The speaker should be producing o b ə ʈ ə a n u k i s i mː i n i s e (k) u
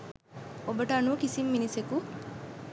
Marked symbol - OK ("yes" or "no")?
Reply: yes